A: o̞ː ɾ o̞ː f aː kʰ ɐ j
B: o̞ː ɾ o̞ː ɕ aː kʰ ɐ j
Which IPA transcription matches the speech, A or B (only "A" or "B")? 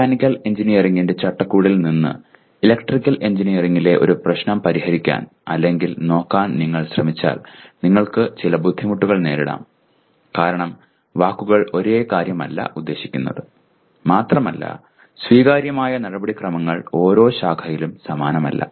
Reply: B